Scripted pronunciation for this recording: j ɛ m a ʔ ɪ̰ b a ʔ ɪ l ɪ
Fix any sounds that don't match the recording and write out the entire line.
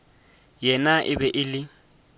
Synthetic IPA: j ɛ n a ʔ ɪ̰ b ɛ ʔ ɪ l ɪ